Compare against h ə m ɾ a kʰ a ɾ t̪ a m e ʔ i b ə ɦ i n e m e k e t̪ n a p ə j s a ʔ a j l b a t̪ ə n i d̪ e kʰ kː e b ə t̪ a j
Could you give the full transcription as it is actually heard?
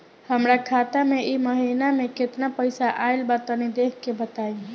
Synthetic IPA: h ə m ɾ a kʰ a t̪ a m e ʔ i m ə ɦ i n a m e k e t̪ n a p ə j s a ʔ a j l b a t̪ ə n i d̪ e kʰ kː e b ə t̪ a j